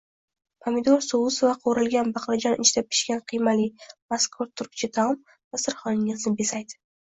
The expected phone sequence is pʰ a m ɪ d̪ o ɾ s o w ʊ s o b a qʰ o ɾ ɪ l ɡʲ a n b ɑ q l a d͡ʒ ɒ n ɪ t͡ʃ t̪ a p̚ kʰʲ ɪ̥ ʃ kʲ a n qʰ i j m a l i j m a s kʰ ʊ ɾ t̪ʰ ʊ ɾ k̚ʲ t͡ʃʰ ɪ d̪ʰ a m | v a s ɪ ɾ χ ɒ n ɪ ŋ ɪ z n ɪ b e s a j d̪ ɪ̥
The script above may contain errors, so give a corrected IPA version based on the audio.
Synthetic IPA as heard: pʰ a m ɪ d̪ o ɾ s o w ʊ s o v a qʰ o ɾ ɪ l ɡʲ a n b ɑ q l a d͡ʒ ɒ n ɪ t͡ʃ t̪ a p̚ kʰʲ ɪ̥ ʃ kʲ a n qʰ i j m a l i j m a s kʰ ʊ ɾ t̪ʰ ʊ ɾ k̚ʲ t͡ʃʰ ɪ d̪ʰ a m | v a s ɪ ɾ χ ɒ n ɪ ŋ ɪ z n ɪ b e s a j d̪ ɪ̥

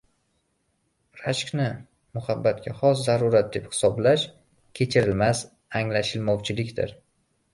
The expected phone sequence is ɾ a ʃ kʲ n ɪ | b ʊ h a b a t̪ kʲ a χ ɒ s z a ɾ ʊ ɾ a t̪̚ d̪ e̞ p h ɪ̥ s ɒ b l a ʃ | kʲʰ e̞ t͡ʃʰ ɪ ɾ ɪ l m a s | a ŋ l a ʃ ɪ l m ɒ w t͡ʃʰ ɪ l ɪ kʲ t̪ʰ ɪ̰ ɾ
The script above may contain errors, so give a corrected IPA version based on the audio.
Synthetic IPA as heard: ɾ a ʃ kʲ n ɪ | m ʊ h a bː a t̪ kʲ a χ ɒ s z a ɾ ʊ ɾ a t̪̚ d̪ e̞ p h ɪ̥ s ɒ b l a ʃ | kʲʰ e̞ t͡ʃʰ ɪ ɾ ɪ l m a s | a ŋ l a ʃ ɪ l m ɒ w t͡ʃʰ ɪ l ɪ kʲ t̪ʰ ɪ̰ ɾ

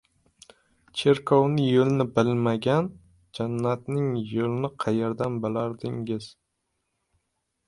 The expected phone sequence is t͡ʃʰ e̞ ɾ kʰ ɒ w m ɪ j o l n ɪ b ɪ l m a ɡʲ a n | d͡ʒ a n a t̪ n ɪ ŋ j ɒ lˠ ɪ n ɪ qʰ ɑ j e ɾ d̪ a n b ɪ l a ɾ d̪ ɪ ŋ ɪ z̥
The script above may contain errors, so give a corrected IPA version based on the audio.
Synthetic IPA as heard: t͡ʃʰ e̞ ɾ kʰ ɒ w n ɪ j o l n ɪ b ɪ l m a ɡʲ a n | d͡ʒ a nː a t̪ n ɪ ŋ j o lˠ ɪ n ɪ qʰ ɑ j e ɾ d̪ a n b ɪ l a ɾ d̪ ɪ ŋ ɪ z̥

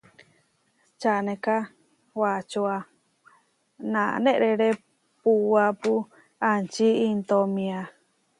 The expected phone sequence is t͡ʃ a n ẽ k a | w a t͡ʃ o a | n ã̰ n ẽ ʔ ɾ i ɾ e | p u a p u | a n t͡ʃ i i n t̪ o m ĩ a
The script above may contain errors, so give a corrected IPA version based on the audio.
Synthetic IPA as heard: t͡ʃ a n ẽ k a | w a t͡ʃ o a | n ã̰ n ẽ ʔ ɾ e ɾ e | p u a p u | a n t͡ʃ i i n t̪ o m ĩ a

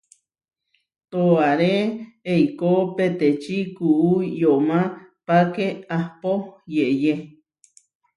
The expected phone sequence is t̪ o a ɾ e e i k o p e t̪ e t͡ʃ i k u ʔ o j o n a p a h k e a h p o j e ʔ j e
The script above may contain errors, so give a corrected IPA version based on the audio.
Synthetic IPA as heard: t̪ o a ɾ e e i k o p e t̪ e t͡ʃ i k u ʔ u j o m a p a k e a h p o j e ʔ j e

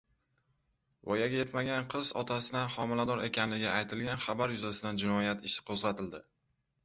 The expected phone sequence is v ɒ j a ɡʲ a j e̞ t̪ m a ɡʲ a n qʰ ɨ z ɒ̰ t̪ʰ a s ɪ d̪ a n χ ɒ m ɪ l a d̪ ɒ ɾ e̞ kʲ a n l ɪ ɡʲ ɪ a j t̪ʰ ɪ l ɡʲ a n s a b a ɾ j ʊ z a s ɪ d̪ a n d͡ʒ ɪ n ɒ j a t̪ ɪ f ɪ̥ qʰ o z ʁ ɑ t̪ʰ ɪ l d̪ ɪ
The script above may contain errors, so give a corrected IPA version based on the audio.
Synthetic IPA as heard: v ɒ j a ɡʲ a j e̞ t̪ m a ɡʲ a n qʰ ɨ z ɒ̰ t̪ʰ a s ɪ d̪ a n χ ɒ m ɪ l a d̪ ɒ ɾ e̞ kʲ a n l ɪ ɡʲ ɪ a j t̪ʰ ɪ l ɡʲ a n χ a b a ɾ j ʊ z a s ɪ d̪ a n d͡ʒ ɪ n ɒ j a t̪ ɪ ʃ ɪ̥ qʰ o z ʁ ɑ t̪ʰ ɪ l d̪ ɪ

